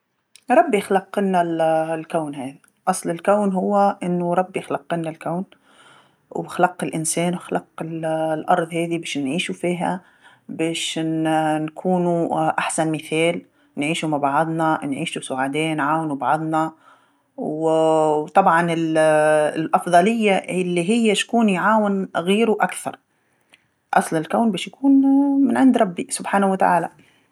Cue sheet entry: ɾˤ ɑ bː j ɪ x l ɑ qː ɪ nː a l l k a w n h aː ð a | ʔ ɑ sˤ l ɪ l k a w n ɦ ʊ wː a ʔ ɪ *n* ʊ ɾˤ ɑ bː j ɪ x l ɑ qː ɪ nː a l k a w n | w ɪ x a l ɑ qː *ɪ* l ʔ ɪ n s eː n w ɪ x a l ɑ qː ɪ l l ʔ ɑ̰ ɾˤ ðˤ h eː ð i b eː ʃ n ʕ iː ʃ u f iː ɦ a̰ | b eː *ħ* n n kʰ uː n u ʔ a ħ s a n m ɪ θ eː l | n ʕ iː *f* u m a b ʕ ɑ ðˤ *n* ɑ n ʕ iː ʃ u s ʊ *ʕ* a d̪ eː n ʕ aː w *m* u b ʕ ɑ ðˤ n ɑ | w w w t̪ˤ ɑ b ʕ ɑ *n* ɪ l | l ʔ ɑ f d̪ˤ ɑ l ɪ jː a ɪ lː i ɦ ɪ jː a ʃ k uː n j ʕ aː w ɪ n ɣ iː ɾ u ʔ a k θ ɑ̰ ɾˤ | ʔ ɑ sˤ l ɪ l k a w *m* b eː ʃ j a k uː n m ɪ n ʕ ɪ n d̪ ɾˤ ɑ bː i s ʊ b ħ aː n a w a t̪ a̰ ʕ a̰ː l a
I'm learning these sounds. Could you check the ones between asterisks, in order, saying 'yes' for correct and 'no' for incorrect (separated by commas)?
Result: no, yes, no, no, yes, yes, no, yes, no